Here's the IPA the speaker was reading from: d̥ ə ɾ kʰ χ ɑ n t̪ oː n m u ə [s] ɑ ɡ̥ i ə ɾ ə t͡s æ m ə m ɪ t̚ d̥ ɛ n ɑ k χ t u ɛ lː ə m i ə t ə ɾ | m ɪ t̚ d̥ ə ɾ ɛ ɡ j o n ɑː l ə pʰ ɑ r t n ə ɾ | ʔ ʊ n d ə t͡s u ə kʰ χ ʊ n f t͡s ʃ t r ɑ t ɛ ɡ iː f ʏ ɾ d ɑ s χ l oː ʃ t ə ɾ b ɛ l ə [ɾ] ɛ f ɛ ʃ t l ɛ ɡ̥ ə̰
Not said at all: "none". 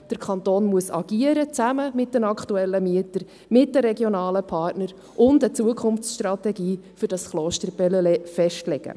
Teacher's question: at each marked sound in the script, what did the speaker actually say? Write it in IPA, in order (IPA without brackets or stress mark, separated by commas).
s, l